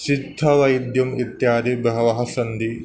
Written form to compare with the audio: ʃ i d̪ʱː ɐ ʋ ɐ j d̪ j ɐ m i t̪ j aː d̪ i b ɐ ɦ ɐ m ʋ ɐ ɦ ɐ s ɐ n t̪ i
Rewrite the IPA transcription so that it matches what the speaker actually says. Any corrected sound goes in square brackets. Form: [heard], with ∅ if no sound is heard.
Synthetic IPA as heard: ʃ i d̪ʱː ɐ ʋ ɐ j d̪ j ɐ m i t̪ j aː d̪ i b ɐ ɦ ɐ [∅] ʋ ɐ ɦ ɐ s ɐ n [d̪] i